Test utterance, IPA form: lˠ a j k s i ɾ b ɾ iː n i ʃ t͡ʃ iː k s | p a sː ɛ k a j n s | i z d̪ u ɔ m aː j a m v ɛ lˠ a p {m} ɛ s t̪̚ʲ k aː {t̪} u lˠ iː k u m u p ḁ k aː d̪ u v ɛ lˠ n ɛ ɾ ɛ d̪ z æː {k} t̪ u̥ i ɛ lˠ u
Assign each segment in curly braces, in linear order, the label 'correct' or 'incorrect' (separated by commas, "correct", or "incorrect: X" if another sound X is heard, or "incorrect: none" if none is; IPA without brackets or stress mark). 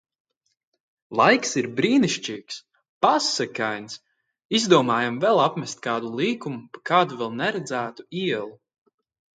correct, incorrect: d̪, incorrect: none